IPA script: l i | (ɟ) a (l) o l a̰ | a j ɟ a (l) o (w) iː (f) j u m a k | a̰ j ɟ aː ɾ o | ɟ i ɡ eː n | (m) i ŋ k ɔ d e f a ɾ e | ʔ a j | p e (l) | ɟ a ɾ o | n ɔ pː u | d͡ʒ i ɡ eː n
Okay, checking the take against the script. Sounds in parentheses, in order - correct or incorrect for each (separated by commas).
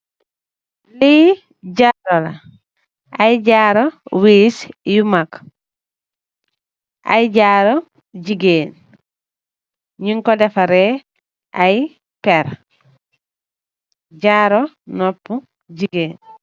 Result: correct, incorrect, incorrect, correct, incorrect, incorrect, incorrect